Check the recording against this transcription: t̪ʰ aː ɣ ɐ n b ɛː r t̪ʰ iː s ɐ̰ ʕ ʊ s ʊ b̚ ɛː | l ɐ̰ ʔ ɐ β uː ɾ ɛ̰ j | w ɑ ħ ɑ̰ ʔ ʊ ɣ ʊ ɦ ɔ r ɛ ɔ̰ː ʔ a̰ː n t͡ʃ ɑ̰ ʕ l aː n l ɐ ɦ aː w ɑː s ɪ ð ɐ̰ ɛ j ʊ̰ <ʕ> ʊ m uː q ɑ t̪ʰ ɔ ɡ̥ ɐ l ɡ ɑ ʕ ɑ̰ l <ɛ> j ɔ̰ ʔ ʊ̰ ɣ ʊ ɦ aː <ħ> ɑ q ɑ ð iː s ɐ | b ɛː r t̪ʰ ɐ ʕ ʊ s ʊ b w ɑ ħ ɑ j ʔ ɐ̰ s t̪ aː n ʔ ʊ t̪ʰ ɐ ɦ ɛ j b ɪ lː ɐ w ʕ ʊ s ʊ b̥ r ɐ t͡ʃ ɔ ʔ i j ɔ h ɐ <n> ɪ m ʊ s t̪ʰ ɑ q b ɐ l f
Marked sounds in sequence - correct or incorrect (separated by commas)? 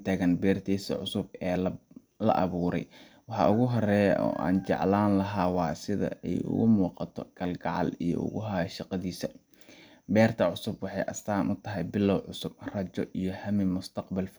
incorrect, incorrect, incorrect, incorrect